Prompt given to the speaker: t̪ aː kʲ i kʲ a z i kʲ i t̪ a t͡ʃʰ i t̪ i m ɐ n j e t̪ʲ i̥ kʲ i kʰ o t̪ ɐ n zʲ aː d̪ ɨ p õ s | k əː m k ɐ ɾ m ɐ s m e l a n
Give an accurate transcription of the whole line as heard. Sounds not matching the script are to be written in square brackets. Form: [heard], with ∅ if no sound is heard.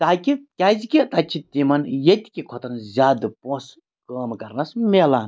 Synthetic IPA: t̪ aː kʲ i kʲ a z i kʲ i t̪ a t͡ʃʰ i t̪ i m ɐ n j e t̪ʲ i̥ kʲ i kʰ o t̪ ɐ n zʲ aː d̪ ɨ p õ s | k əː m k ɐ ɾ [n] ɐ s m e l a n